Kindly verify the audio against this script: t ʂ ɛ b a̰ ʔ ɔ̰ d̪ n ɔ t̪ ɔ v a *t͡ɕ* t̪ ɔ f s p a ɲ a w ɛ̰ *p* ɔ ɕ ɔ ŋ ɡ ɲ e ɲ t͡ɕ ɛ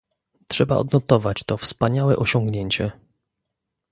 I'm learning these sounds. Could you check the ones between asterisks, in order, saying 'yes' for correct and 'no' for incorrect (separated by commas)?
yes, no